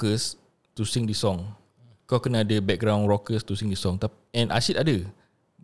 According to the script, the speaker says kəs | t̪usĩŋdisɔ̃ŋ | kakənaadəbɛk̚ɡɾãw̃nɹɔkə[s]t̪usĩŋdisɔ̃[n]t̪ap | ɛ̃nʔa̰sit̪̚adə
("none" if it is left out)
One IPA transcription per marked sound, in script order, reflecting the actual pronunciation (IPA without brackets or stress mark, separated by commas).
s, ŋ